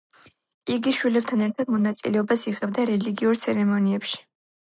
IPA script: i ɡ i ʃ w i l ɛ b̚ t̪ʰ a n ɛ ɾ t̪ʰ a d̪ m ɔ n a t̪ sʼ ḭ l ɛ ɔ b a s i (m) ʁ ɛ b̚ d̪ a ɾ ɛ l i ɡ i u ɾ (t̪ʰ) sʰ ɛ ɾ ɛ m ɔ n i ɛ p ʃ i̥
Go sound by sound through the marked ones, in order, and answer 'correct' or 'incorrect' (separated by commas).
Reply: incorrect, incorrect